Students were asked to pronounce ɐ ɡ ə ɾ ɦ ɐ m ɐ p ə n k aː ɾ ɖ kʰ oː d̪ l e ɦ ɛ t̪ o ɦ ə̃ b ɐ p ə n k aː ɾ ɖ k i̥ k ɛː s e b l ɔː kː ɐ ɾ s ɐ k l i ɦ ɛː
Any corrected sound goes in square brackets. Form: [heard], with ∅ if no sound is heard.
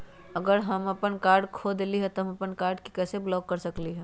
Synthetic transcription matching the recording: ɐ ɡ ə ɾ ɦ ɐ m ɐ p ə n k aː ɾ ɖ kʰ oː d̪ l [i] ɦ ɛ t̪ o ɦ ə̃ [m] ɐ p ə n k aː ɾ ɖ k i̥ k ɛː s e b l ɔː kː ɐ ɾ s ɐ k l i ɦ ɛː